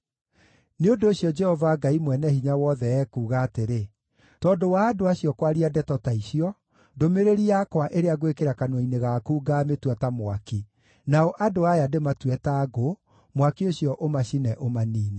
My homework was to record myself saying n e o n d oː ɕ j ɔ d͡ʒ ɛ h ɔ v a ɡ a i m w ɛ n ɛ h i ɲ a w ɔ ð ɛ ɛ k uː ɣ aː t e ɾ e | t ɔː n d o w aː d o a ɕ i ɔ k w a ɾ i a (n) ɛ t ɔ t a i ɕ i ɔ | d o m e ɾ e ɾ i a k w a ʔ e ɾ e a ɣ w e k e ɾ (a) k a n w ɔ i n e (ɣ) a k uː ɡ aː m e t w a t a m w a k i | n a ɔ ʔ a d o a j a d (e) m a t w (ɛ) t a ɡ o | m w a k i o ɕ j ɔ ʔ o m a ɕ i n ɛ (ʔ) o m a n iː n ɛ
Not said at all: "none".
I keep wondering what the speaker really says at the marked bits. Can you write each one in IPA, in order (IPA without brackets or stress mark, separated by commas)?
d, a, ɣ, e, ɛ, ʔ